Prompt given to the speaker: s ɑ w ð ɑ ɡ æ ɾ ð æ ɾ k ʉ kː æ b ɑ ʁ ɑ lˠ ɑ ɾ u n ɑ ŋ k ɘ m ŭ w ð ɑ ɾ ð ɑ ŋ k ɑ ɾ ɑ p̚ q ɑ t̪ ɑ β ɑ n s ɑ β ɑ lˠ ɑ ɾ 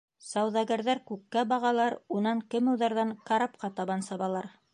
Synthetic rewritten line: s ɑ w ð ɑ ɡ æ ɾ ð æ ɾ k ʉ kː æ b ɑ ʁ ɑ lˠ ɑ ɾ u n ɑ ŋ k ɘ m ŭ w ð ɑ ɾ ð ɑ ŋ k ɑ ɾ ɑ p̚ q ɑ t̪ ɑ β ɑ n s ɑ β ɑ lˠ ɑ ɾ